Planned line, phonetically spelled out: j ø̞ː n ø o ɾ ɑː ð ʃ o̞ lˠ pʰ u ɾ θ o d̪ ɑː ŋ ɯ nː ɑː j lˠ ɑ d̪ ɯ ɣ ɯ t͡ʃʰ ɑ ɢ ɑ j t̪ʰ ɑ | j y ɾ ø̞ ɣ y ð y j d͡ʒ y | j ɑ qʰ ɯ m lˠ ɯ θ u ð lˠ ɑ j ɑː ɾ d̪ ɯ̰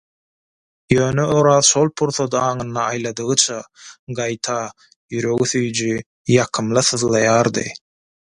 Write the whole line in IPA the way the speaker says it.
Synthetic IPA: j ø̞ː n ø o ɾ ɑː ð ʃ o̞ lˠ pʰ u ɾ θ o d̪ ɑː ŋ ɯ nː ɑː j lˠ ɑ d̪ ɯ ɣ ɯ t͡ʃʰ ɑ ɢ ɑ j t̪ʰ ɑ | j y ɾ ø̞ ɣ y θ y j d͡ʒ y | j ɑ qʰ ɯ m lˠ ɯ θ ɯ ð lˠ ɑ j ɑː ɾ d̪ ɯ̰